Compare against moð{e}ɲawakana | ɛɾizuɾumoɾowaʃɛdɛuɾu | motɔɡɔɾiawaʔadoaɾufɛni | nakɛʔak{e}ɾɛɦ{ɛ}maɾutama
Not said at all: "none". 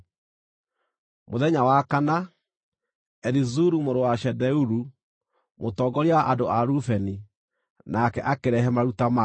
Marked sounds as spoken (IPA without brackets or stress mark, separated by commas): ɛ, e, ɛ